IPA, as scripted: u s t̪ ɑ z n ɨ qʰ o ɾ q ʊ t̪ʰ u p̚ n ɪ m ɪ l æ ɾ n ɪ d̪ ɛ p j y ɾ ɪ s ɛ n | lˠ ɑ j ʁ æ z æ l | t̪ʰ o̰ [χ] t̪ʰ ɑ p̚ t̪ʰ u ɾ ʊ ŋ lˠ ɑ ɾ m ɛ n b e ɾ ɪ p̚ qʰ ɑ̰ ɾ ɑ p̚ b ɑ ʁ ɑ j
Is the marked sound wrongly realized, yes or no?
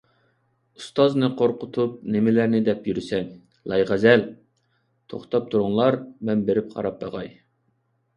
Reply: no